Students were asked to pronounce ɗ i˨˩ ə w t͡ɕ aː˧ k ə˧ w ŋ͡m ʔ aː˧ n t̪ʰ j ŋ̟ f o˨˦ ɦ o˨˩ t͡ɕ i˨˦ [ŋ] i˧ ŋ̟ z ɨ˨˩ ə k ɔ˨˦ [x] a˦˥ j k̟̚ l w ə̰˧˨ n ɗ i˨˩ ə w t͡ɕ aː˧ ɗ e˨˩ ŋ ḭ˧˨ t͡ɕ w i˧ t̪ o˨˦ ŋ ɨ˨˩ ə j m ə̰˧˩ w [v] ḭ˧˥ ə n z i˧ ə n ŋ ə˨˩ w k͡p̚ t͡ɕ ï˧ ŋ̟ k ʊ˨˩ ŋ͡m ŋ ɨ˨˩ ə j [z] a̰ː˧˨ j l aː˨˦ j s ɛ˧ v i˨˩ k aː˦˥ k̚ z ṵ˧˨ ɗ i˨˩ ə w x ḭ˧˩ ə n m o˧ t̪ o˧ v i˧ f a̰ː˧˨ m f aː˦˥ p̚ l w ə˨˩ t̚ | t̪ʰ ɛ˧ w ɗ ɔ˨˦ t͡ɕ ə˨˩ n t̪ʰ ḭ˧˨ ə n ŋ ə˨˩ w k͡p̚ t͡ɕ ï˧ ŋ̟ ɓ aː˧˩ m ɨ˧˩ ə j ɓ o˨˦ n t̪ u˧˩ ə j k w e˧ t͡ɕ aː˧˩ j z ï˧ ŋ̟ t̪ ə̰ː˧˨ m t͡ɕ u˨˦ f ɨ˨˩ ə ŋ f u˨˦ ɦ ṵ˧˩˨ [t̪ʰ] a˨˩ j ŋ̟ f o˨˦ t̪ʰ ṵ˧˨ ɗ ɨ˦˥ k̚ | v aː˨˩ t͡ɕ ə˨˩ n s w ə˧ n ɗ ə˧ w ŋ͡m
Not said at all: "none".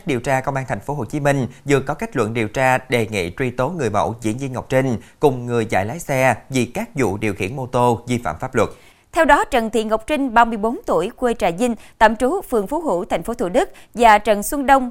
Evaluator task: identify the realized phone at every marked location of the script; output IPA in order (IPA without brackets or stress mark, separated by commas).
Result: m, k, z, z, t̪ʰ